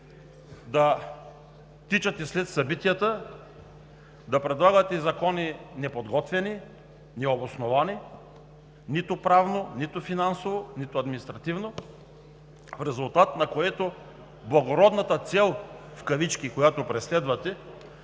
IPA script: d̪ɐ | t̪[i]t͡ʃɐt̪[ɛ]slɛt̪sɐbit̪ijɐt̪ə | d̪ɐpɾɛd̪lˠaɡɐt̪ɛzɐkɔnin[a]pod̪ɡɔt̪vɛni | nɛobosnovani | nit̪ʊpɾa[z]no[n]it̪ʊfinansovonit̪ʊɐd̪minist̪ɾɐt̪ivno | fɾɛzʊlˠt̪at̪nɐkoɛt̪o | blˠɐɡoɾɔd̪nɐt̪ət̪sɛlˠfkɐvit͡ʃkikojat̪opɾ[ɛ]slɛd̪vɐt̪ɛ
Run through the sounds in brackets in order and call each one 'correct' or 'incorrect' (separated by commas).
correct, correct, incorrect, incorrect, correct, correct